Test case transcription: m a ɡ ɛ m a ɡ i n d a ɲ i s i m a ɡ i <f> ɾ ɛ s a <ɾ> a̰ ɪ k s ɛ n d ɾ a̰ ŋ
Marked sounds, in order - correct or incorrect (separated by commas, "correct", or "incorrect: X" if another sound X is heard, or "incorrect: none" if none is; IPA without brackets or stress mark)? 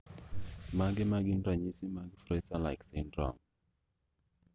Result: correct, incorrect: l